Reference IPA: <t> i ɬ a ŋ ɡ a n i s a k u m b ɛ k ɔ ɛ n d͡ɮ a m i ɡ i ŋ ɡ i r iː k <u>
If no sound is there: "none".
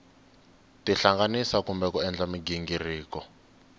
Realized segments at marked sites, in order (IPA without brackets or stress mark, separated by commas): t, ɔ